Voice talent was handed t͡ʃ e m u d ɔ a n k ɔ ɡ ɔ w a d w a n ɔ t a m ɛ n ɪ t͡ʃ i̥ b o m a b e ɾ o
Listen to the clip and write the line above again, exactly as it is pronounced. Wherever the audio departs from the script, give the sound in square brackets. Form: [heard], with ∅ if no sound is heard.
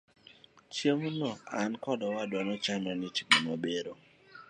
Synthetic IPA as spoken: t͡ʃ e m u [n] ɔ a n k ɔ [d] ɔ w a d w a n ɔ [t͡ʃ] a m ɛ n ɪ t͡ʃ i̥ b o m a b e ɾ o